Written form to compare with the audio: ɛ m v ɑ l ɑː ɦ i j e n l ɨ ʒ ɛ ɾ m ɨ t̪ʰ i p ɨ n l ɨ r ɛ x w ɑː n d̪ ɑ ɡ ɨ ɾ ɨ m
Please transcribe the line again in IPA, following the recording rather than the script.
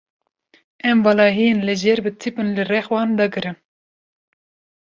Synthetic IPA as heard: ɛ m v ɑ l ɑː ɦ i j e n l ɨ ʒ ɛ ɾ b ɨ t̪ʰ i p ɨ n l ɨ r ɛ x w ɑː n d̪ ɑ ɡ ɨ ɾ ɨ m